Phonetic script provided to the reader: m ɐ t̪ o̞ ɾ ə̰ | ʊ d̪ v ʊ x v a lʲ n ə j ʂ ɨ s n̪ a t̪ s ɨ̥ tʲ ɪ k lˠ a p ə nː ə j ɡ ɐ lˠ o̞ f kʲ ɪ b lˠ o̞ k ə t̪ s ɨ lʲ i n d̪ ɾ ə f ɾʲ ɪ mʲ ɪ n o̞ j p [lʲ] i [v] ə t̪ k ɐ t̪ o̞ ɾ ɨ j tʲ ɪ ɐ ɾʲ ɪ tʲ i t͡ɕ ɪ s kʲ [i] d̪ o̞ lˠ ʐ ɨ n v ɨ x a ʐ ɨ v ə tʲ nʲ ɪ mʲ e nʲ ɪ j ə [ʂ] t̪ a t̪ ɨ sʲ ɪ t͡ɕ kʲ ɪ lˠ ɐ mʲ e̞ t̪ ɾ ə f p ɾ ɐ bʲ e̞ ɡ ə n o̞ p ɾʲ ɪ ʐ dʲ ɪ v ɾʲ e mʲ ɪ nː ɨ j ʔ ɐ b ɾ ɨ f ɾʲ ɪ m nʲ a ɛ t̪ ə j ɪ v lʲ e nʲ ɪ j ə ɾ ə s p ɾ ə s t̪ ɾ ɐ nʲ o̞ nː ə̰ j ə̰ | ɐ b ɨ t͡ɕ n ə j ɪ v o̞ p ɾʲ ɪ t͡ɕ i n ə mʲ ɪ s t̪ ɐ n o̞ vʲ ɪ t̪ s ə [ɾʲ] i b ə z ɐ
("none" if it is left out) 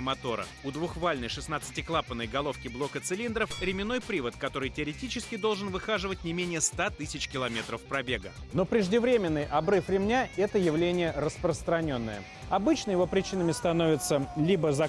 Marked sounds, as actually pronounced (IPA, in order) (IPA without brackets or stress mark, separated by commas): ɾʲ, v, ɪ, s, lʲ